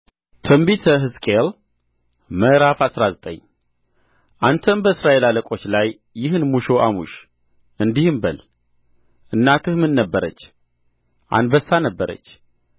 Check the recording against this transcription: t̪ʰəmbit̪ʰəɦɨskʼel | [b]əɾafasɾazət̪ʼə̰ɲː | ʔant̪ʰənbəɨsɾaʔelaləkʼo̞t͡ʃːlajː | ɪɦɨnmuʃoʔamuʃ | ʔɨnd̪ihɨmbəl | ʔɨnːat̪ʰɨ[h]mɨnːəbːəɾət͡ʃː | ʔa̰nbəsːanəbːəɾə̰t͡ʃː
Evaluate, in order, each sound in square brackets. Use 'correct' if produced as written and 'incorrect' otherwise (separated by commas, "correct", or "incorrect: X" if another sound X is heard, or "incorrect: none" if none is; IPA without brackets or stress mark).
incorrect: m, correct